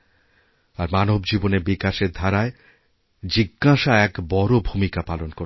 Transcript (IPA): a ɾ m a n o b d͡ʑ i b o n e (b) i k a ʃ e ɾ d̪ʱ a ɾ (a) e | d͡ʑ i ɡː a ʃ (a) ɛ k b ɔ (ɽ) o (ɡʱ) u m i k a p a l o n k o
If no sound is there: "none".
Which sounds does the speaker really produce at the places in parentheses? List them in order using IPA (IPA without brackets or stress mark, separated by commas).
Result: b, a, a, ɾ, bʱ